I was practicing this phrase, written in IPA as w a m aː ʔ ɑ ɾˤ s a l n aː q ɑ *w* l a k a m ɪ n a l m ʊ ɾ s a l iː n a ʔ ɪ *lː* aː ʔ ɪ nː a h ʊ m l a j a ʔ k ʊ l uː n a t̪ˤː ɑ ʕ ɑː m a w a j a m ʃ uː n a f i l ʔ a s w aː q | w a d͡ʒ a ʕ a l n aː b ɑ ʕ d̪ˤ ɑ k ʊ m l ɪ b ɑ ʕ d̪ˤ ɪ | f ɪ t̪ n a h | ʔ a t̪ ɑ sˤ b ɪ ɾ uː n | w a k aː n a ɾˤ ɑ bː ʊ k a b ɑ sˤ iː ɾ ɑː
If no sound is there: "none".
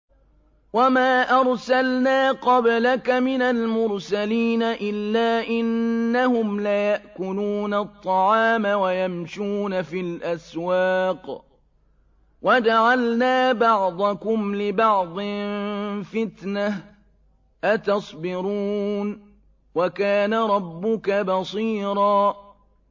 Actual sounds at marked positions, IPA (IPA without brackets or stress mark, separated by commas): b, lː